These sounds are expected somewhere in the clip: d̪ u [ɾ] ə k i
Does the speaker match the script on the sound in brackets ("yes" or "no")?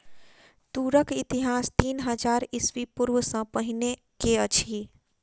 yes